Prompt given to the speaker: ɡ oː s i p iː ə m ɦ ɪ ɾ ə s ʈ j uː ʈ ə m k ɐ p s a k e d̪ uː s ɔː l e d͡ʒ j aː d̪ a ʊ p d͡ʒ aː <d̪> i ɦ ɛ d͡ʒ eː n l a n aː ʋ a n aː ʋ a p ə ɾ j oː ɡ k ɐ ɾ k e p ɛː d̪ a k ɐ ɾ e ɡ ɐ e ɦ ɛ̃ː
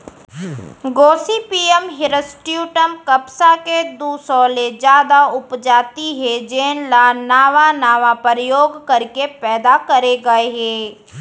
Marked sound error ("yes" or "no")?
yes